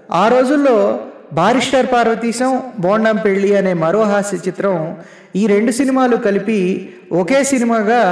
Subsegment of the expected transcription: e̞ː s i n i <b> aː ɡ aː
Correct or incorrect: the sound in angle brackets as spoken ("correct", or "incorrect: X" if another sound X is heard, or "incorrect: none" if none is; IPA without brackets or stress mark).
incorrect: m